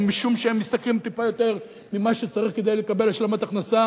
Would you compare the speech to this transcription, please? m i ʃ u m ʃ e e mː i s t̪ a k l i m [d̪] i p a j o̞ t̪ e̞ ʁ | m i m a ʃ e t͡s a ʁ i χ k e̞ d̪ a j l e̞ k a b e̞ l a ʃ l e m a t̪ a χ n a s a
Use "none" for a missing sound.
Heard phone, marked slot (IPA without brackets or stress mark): t̪